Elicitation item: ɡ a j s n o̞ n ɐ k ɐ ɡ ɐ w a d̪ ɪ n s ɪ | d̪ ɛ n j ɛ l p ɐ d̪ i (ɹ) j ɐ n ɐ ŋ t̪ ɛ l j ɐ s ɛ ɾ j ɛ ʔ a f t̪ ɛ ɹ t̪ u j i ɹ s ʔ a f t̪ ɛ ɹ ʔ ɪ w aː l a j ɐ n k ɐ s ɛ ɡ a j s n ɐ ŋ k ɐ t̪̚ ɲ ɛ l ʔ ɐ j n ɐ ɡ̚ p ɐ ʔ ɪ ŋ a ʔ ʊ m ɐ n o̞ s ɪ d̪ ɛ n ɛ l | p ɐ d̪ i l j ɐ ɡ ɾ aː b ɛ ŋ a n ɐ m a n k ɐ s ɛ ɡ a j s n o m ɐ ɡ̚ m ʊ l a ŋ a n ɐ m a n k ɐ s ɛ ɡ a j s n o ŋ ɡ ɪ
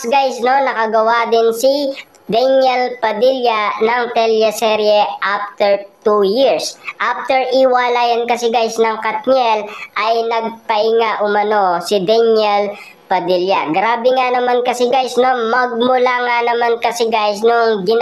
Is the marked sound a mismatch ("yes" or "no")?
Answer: yes